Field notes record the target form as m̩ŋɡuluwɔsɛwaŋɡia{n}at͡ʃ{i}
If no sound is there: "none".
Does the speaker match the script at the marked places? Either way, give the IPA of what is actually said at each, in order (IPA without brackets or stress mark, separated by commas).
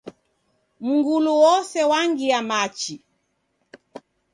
m, i